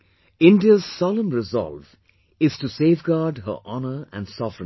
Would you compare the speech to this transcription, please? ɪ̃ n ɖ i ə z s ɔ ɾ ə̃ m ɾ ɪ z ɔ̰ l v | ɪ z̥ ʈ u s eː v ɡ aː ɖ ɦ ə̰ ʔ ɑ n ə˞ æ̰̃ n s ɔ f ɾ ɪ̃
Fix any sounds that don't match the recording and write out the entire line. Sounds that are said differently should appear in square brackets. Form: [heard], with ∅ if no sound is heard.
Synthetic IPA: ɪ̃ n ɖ i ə z s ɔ [l] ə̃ m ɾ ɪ z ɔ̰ l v | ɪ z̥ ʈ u s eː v ɡ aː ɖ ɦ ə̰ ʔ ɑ n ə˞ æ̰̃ n s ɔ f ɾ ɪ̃